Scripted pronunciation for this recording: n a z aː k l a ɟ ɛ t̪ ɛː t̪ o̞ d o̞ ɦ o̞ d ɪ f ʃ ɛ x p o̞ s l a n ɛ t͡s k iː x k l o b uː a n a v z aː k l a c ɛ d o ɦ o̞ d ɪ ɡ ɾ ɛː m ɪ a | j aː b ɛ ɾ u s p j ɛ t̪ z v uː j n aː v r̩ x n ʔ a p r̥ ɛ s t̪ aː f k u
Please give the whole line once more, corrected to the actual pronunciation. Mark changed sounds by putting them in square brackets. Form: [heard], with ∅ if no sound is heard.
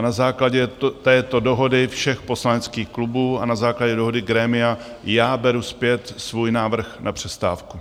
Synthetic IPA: n a z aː k l a ɟ ɛ t̪ ɛː t̪ o̞ d o̞ ɦ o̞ d ɪ f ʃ ɛ x p o̞ s l a n ɛ t͡s k iː x k l [u] b uː a n a [∅] z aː k l a [ɟ] ɛ d o ɦ o̞ d ɪ ɡ ɾ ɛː m ɪ a | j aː b ɛ ɾ u s p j ɛ t̪ [s] v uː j n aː v r̩ x n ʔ a p r̥ ɛ s t̪ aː f k u